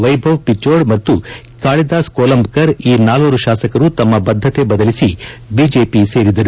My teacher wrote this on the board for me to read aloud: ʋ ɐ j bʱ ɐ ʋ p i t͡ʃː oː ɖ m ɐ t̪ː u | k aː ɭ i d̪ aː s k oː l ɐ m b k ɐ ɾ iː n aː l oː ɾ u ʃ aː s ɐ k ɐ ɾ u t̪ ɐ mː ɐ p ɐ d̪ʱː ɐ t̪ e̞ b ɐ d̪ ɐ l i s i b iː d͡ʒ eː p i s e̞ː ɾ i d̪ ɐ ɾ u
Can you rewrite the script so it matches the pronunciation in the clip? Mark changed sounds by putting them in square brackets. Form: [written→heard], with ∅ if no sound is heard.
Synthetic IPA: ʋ ɐ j bʱ ɐ ʋ p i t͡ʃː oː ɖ m ɐ t̪ː u | k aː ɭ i d̪ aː s k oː l ɐ m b k ɐ ɾ iː n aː l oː ɾ u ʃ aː s ɐ k ɐ ɾ u t̪ ɐ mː ɐ [p→b] ɐ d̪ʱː ɐ t̪ e̞ b ɐ d̪ ɐ l i s i b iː d͡ʒ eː p i s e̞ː ɾ i d̪ ɐ ɾ u

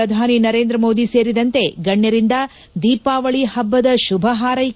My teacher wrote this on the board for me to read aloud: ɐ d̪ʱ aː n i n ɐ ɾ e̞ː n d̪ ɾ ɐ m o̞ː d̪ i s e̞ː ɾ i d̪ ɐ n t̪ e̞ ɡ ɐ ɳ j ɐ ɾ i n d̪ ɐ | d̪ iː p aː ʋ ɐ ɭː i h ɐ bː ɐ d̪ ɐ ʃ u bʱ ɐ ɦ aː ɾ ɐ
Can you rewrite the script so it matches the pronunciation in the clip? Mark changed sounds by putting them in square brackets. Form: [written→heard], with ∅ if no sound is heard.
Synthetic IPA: ɐ d̪ʱ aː n i n ɐ ɾ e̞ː n d̪ ɾ ɐ m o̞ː d̪ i s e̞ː ɾ i d̪ ɐ n t̪ e̞ ɡ ɐ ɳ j ɐ ɾ i n d̪ ɐ | d̪ iː p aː ʋ ɐ [ɭː→ɭ] i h ɐ bː ɐ d̪ ɐ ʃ u bʱ ɐ ɦ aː ɾ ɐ

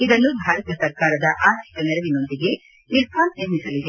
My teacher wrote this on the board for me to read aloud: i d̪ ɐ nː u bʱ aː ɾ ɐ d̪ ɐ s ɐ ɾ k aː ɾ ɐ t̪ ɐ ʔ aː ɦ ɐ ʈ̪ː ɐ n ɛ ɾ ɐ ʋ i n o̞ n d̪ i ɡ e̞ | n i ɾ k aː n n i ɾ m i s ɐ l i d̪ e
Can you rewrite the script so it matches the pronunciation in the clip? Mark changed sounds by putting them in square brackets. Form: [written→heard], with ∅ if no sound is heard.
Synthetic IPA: i d̪ ɐ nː u bʱ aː ɾ ɐ [d̪→t̪] ɐ s ɐ ɾ k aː ɾ ɐ [t̪→d̪] ɐ ʔ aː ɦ ɐ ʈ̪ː ɐ n ɛ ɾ ɐ ʋ i n o̞ n d̪ i ɡ e̞ | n i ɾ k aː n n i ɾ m i s ɐ l i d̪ e

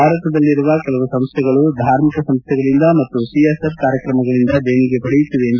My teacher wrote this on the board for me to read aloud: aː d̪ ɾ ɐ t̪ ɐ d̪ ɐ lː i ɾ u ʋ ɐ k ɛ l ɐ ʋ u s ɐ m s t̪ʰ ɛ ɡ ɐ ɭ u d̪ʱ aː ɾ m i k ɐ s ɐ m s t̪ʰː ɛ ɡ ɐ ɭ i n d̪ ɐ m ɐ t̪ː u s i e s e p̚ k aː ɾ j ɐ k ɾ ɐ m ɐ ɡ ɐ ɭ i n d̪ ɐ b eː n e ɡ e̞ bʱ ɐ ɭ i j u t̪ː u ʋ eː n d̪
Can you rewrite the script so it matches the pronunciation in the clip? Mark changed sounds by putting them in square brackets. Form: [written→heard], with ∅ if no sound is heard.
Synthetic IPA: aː [d̪→∅] ɾ ɐ t̪ ɐ d̪ ɐ lː i ɾ u ʋ ɐ k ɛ l ɐ ʋ u s ɐ m s t̪ʰ ɛ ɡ ɐ ɭ u d̪ʱ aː ɾ m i k ɐ s ɐ m s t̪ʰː ɛ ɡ ɐ ɭ i n d̪ ɐ m ɐ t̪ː u s i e s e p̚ k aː ɾ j ɐ k ɾ ɐ m ɐ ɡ ɐ ɭ i n d̪ ɐ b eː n [e→i] ɡ e̞ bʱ ɐ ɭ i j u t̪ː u ʋ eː n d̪

